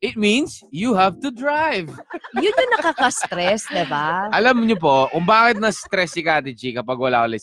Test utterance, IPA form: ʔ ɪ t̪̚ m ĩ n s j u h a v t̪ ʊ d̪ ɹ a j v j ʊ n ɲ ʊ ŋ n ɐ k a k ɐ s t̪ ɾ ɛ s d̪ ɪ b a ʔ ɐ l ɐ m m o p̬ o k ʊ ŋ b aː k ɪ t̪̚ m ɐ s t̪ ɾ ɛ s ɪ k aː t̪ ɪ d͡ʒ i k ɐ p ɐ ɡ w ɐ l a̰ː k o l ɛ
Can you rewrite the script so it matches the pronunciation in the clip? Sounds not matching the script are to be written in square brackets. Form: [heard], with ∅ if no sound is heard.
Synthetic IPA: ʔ ɪ t̪̚ m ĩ n s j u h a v t̪ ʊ d̪ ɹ a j v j ʊ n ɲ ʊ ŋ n ɐ k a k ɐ s t̪ ɾ ɛ s d̪ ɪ b a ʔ ɐ l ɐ m [ɲ] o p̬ o k ʊ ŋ b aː k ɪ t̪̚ [n] ɐ s t̪ ɾ ɛ s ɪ k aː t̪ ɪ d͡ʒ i k ɐ p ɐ ɡ w ɐ l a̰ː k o l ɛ